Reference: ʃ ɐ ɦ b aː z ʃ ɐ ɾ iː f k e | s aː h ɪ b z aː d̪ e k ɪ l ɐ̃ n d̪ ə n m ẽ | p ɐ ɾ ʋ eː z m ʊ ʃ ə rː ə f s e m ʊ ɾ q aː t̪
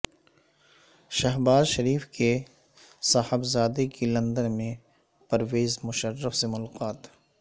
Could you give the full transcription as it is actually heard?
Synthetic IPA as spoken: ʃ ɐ ɦ b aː z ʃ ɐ ɾ iː f k e | s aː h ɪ b z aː d̪ e k i l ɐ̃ n d̪ ə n m ẽ | p ɐ ɾ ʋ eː z m ʊ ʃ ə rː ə f s e m ʊ l q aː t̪